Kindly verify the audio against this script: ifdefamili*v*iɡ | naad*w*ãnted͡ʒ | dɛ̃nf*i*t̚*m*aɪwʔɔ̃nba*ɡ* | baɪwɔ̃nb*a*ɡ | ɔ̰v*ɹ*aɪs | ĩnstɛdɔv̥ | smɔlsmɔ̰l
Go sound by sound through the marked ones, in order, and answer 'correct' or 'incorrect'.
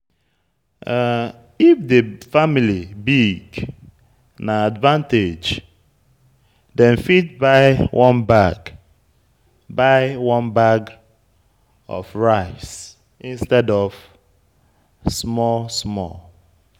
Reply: incorrect: b, incorrect: v, correct, incorrect: b, correct, correct, correct

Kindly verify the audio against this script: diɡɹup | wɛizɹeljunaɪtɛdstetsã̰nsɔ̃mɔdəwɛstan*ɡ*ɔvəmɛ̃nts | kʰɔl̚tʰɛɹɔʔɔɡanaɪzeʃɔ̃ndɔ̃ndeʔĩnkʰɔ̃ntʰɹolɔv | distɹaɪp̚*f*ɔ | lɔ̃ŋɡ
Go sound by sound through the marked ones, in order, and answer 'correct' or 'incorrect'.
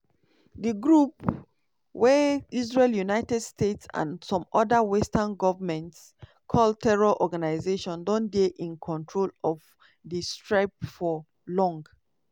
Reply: correct, correct

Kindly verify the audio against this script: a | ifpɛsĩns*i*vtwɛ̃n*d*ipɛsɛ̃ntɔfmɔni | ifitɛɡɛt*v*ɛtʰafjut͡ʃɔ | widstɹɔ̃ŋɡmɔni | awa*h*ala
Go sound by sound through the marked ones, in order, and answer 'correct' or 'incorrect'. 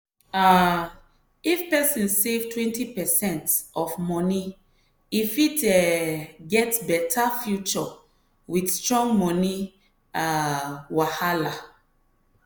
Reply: incorrect: e, incorrect: t, incorrect: b, correct

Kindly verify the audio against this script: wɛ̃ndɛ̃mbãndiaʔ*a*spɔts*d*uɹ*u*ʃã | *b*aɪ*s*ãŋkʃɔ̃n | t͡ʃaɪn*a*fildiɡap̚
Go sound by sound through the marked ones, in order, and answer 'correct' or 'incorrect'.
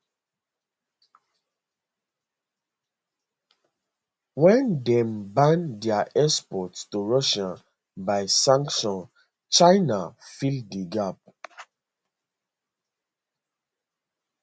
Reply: incorrect: ɛ, incorrect: t, incorrect: ɔ, correct, correct, correct

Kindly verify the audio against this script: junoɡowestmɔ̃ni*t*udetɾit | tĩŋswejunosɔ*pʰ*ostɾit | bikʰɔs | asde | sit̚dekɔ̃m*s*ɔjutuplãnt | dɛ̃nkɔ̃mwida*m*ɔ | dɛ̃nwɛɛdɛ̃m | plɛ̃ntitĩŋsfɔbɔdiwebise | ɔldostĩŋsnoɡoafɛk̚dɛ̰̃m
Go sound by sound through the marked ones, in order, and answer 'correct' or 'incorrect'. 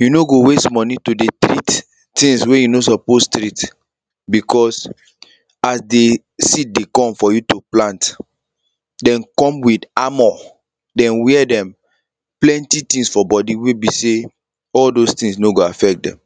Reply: correct, incorrect: p, incorrect: f, correct

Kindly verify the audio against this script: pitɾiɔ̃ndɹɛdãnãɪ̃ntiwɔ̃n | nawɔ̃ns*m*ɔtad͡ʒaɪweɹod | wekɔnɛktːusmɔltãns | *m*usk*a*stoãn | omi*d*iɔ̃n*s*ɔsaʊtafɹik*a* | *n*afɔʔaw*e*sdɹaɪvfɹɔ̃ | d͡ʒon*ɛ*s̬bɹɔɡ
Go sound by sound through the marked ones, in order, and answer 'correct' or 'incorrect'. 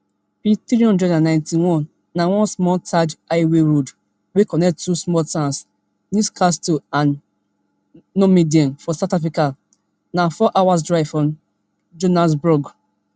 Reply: correct, incorrect: n, correct, correct, incorrect: f, correct, correct, incorrect: a, incorrect: a

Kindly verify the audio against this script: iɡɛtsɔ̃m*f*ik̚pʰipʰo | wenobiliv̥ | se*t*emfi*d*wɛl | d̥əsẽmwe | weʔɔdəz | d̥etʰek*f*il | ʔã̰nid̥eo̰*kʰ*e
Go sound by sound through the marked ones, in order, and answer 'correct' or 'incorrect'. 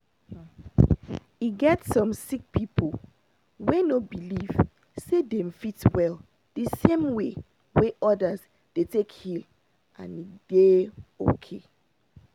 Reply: incorrect: s, incorrect: d, incorrect: t, incorrect: h, correct

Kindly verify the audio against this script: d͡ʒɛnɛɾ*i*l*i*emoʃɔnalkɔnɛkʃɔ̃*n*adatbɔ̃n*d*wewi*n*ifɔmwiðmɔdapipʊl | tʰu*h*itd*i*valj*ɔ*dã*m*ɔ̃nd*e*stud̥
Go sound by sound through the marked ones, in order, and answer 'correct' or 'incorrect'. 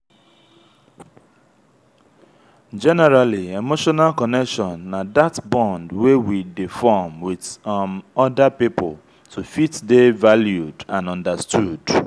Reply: incorrect: a, correct, incorrect: nː, correct, incorrect: d, incorrect: f, incorrect: e, incorrect: u, incorrect: n, incorrect: a

